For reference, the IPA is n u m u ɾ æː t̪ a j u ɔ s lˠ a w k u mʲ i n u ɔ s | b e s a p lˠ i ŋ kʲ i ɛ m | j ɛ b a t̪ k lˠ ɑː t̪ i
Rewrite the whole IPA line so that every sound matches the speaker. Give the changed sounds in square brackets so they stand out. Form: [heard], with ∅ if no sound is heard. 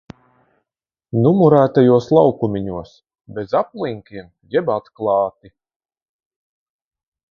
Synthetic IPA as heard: n u m u ɾ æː t̪ a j u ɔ s lˠ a w k u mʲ i [ɲ] u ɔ s | b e [z] a p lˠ i ŋ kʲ i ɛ m | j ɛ b a t̪ k lˠ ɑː t̪ i